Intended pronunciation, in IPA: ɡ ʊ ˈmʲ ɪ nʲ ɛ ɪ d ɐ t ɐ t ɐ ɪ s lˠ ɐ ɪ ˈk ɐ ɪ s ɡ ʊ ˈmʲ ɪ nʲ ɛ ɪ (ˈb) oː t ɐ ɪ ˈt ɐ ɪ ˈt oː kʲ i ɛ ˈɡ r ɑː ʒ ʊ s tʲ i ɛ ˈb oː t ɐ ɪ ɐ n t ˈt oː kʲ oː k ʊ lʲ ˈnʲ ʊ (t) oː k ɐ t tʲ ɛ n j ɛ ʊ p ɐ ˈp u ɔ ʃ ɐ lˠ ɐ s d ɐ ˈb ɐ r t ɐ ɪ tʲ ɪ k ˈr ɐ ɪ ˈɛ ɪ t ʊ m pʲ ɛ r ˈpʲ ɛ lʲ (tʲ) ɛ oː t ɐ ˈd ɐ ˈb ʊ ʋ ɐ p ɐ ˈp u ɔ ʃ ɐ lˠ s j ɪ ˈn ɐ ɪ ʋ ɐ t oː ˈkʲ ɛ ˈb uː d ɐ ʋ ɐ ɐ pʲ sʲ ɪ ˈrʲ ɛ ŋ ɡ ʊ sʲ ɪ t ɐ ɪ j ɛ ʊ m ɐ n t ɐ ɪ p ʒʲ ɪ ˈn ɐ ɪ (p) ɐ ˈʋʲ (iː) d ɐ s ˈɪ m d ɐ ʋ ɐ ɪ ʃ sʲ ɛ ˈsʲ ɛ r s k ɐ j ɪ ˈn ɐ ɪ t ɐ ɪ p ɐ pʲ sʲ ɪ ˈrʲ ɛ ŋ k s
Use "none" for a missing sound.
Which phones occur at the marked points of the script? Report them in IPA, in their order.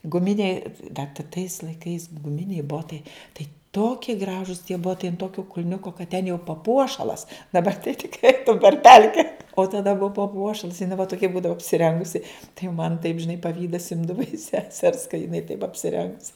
b, k, kʲ, p, iː

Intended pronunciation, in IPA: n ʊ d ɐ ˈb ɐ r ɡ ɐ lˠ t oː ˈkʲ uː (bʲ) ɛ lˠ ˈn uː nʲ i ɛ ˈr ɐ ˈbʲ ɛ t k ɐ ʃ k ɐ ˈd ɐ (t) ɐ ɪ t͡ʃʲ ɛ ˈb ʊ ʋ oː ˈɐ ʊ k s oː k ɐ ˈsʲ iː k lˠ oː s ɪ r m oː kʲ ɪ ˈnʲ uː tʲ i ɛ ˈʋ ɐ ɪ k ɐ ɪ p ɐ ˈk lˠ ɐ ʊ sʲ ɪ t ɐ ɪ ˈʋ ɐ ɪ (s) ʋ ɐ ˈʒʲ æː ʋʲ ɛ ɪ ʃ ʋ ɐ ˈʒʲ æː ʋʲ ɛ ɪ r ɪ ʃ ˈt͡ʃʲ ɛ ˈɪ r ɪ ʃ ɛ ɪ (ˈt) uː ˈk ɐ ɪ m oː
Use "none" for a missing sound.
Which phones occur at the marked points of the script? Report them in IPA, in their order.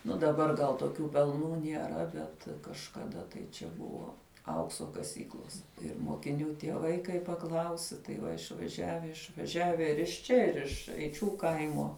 pʲ, t, ʃ, t͡ʃʲ

